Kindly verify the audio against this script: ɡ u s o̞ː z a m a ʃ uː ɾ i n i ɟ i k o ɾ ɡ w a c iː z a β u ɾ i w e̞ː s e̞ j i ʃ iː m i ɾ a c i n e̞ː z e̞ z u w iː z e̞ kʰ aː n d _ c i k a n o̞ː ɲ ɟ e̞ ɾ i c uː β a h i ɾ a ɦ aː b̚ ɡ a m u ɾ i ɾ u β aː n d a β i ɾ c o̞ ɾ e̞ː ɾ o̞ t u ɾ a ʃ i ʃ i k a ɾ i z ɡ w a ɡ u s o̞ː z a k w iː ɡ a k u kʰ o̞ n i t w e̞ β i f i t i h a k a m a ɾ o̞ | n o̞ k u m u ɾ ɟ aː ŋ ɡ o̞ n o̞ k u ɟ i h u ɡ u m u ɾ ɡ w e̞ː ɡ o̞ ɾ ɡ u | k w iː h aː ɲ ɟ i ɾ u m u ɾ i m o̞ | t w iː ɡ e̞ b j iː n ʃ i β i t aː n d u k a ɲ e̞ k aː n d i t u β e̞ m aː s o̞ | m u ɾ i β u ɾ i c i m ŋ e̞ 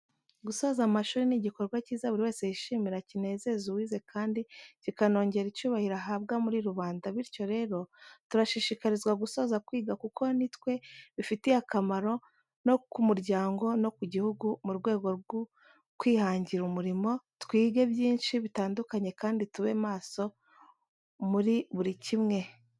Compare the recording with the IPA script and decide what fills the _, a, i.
i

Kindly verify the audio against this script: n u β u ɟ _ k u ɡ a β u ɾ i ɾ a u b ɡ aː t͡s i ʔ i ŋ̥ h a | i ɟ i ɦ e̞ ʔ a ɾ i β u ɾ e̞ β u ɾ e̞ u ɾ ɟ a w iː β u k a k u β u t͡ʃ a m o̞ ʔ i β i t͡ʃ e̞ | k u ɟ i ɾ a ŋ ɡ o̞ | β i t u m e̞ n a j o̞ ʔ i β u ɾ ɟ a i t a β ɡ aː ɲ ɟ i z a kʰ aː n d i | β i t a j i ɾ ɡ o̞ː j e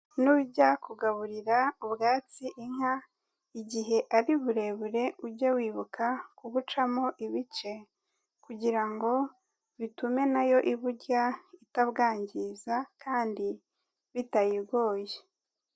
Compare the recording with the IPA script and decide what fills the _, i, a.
a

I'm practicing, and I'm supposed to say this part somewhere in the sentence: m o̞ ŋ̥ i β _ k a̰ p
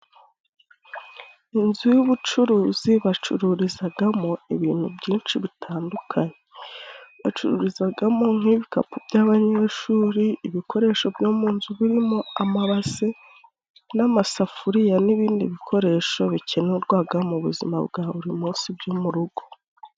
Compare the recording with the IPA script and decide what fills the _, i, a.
i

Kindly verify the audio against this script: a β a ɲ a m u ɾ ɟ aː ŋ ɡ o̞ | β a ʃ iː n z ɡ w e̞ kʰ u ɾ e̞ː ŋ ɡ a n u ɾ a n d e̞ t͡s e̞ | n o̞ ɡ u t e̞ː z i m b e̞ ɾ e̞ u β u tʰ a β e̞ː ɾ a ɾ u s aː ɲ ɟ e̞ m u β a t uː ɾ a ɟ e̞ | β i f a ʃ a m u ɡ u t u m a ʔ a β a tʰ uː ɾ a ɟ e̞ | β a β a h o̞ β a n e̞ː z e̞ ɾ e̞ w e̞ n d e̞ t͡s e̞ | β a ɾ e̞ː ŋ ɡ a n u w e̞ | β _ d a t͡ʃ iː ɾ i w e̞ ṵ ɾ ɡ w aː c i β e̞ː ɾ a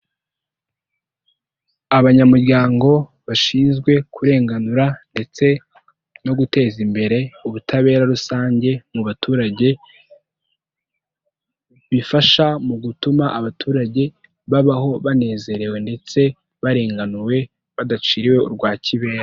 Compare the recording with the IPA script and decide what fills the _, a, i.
a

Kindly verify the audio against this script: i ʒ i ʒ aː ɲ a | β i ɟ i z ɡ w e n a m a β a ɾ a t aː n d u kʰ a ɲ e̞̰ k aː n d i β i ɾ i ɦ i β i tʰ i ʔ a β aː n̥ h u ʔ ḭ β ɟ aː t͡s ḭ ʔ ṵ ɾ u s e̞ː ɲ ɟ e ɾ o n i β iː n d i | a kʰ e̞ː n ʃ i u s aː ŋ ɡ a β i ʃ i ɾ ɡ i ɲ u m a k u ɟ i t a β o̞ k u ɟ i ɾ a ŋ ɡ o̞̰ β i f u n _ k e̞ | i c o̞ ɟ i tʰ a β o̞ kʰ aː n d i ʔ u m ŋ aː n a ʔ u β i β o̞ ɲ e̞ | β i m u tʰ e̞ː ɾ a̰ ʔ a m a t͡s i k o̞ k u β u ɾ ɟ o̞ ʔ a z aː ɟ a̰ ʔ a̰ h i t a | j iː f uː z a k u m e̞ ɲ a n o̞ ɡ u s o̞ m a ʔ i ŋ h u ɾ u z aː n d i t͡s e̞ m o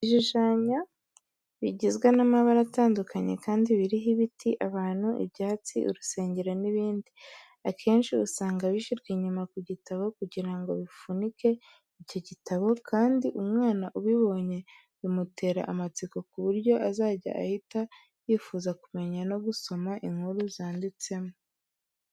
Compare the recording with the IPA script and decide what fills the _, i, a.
i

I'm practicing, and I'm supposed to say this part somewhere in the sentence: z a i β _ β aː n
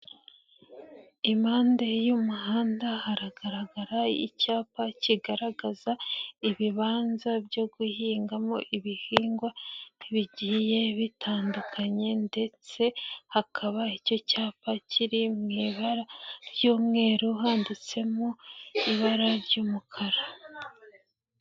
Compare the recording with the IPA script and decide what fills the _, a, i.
i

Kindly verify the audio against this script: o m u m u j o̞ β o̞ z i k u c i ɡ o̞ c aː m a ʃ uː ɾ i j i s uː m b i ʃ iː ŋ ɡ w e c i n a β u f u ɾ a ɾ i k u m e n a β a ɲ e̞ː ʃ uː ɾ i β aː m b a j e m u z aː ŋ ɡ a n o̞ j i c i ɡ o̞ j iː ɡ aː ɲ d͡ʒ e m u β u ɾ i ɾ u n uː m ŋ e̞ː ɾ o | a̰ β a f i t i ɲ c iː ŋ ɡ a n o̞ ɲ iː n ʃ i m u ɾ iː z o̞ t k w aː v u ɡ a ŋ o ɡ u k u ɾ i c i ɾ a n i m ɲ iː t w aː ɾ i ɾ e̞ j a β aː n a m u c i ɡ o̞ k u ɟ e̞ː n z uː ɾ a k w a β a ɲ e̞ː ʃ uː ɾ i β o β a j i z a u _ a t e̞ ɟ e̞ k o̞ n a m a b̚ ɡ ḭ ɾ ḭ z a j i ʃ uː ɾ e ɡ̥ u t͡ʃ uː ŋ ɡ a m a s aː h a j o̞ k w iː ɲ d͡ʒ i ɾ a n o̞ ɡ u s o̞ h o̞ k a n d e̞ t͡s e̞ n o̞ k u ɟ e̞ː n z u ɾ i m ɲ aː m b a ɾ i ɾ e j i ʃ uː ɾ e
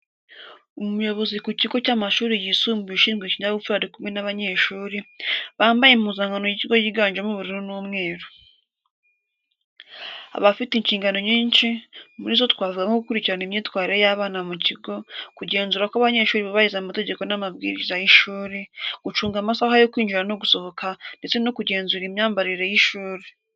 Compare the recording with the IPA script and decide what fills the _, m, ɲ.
m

